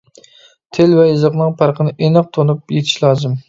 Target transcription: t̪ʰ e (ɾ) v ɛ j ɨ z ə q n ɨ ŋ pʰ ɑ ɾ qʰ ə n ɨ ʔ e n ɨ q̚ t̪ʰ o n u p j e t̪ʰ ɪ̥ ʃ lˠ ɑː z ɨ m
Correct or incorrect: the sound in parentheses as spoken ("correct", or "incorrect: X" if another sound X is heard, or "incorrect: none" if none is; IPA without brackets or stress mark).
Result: incorrect: l